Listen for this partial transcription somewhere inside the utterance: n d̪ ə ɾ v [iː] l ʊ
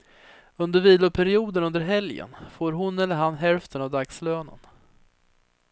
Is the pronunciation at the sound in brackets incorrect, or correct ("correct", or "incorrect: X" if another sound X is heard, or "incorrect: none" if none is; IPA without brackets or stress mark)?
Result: correct